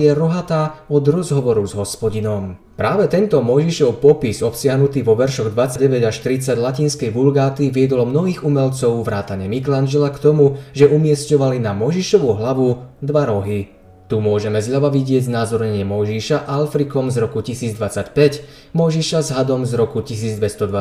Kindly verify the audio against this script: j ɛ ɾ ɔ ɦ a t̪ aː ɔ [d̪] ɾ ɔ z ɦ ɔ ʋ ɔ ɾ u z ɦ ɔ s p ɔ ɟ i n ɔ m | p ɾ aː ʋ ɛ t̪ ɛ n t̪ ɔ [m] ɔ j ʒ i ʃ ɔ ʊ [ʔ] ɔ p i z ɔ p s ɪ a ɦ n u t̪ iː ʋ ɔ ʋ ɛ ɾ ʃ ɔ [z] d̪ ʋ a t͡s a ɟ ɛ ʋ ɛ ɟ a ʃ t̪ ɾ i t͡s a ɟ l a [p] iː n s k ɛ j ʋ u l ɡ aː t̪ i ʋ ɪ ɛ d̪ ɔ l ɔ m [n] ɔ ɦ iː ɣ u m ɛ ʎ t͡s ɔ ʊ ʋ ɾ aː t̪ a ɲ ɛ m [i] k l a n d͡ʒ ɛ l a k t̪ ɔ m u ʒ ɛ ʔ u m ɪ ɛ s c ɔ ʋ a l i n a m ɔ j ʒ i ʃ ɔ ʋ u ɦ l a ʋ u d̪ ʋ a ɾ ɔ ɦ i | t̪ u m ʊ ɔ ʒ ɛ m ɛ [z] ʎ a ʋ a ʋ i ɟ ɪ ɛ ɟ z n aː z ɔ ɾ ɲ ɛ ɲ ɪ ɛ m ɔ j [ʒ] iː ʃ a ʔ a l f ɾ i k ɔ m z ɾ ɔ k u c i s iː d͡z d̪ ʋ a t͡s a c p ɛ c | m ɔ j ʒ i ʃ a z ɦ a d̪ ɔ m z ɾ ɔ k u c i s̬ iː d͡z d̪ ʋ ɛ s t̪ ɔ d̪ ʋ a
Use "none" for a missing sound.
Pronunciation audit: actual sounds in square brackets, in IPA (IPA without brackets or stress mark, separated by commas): d̪, m, p, ɣ, c, n, i, z, ʒ